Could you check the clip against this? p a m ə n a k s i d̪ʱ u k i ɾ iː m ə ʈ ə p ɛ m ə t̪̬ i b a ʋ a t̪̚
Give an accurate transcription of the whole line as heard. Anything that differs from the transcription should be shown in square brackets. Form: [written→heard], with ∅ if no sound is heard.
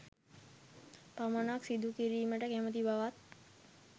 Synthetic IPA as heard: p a m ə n a k s i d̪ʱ u k i ɾ iː m ə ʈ ə [p→k] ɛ m ə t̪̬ i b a ʋ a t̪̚